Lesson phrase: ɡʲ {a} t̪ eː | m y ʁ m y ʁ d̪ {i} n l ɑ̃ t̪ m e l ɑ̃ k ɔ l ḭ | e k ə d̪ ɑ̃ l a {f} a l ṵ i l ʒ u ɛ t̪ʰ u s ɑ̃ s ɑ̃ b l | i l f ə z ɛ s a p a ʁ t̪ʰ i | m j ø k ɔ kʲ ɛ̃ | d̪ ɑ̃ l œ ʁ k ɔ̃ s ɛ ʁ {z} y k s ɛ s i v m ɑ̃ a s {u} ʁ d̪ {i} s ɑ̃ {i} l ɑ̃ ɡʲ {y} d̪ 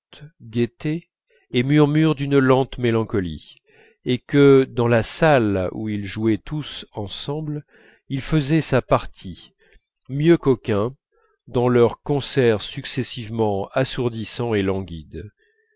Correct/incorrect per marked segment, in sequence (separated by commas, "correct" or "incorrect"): incorrect, incorrect, incorrect, incorrect, correct, correct, incorrect, incorrect